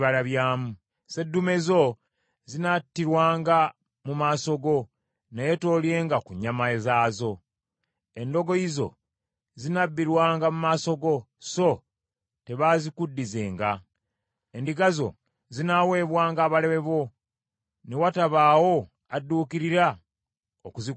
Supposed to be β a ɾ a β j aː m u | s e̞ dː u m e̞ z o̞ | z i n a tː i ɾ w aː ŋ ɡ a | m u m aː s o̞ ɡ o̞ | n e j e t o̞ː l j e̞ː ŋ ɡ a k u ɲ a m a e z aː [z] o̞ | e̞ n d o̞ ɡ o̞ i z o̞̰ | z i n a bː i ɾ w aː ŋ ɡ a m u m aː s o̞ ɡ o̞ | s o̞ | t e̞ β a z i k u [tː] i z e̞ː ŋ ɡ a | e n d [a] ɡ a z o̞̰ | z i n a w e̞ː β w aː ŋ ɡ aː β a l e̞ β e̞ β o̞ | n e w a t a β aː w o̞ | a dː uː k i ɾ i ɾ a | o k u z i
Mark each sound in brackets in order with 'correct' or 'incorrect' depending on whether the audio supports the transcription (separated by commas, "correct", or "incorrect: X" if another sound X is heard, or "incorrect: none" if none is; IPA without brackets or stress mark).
correct, incorrect: dː, incorrect: i